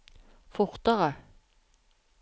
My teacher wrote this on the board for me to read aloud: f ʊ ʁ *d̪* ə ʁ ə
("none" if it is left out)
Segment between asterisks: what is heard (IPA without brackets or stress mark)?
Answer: t̪